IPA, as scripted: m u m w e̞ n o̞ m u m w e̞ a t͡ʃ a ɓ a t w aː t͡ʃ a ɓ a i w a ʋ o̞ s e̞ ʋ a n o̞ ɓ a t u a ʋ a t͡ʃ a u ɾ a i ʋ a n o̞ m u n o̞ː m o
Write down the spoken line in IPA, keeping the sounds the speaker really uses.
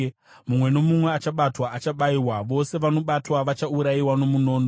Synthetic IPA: m u m w e̞ n o̞ m u m w e̞ a t͡ʃ a ɓ a t w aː t͡ʃ a ɓ a i w a ʋ o̞ s e̞ ʋ a n o̞ ɓ a t w a ʋ a t͡ʃ a u ɾ a i w a n o̞ m u n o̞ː n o